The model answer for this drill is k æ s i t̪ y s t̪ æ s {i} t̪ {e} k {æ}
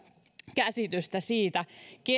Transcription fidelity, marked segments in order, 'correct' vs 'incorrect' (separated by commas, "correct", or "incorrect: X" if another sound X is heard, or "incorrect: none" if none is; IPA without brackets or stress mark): incorrect: iː, incorrect: æ, incorrect: e